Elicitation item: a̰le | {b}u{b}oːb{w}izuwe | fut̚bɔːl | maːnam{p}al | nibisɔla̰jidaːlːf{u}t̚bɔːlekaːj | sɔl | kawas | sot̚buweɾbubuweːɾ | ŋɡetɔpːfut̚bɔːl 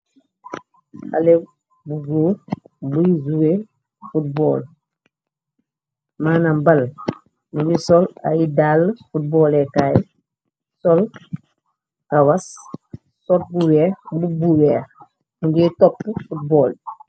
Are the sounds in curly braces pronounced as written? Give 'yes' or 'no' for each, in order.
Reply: yes, no, no, no, yes

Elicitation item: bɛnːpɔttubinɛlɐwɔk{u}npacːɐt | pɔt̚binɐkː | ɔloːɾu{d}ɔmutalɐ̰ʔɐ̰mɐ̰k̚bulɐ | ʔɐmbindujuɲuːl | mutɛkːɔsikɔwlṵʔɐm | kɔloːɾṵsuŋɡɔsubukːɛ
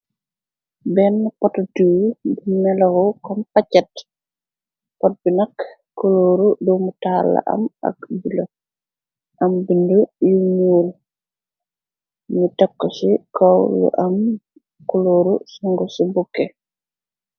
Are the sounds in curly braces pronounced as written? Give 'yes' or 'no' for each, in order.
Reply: no, yes

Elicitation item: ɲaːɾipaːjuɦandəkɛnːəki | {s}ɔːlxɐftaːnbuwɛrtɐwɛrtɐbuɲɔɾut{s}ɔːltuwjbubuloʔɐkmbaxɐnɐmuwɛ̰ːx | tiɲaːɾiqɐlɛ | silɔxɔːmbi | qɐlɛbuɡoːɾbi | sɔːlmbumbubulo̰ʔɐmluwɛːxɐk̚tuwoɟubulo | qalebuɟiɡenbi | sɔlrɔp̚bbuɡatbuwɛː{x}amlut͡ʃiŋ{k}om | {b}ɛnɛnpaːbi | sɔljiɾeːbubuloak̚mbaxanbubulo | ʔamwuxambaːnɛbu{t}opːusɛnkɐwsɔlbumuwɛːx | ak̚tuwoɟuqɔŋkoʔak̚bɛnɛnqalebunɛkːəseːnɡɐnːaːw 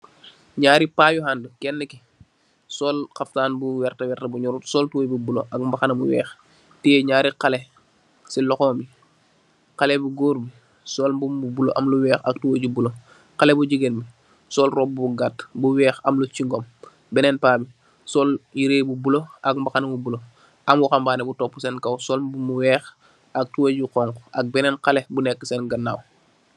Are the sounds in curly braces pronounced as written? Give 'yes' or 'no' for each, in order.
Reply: yes, yes, yes, no, yes, yes

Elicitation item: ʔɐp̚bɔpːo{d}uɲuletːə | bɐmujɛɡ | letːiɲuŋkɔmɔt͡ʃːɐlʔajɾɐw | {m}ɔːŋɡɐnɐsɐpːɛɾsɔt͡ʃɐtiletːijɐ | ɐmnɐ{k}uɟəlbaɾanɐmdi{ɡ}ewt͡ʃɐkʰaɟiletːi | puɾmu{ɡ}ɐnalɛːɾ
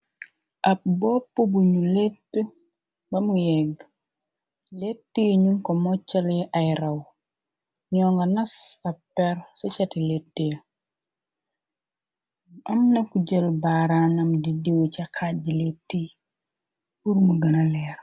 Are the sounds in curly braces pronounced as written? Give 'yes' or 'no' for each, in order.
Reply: no, no, yes, no, yes

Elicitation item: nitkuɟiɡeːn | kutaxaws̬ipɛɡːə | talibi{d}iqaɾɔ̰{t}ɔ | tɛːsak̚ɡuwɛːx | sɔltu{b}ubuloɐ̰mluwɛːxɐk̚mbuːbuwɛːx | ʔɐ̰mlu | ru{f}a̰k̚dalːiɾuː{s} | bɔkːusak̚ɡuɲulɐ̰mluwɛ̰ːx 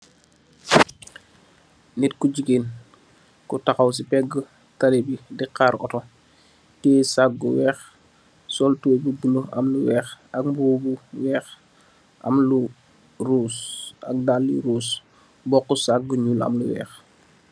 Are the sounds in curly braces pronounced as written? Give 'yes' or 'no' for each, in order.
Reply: yes, yes, yes, no, yes

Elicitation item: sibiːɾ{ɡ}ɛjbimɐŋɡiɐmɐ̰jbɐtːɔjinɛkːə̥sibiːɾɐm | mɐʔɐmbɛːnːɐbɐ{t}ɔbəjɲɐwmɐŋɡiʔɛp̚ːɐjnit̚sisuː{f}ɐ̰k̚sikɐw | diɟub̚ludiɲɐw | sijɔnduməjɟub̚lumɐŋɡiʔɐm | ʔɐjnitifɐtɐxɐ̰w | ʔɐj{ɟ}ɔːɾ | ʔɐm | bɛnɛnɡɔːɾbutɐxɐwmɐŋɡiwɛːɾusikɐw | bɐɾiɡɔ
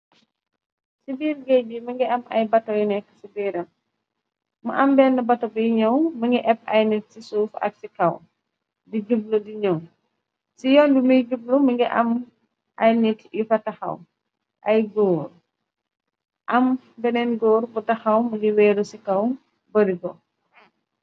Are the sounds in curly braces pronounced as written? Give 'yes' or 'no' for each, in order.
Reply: yes, yes, yes, no

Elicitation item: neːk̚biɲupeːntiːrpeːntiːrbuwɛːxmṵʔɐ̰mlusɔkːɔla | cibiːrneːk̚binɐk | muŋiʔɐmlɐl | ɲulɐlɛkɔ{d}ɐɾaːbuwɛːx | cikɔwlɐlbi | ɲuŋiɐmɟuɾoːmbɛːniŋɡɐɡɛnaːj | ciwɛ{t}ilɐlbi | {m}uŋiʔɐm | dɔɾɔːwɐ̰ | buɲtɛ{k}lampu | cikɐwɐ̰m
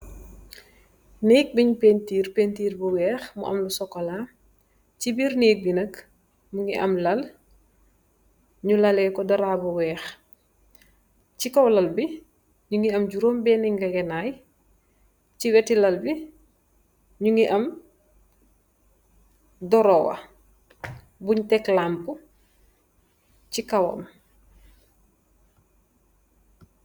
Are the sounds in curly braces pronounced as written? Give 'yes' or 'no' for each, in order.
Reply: yes, yes, no, yes

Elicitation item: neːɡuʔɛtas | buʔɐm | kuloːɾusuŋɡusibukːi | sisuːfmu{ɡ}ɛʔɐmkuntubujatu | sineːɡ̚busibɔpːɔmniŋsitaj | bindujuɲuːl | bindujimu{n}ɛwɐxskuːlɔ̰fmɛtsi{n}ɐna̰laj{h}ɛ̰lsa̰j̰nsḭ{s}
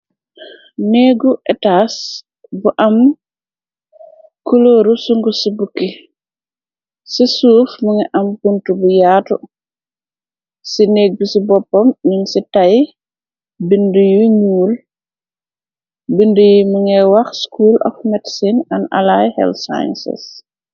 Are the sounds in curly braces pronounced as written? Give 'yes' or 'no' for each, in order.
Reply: no, no, yes, yes, yes

